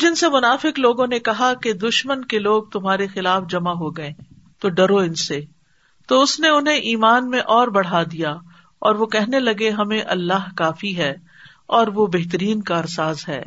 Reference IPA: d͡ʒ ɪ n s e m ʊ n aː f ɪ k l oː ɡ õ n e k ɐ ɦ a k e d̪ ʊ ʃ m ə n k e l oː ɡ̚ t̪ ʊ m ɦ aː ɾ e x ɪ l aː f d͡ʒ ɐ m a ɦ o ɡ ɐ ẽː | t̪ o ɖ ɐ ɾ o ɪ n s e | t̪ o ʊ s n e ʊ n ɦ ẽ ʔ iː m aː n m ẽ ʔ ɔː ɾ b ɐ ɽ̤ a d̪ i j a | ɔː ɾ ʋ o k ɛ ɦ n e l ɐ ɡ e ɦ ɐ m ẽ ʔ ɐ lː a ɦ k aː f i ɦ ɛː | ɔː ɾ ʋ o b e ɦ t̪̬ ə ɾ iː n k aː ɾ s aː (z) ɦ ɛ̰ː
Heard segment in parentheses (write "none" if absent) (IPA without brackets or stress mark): z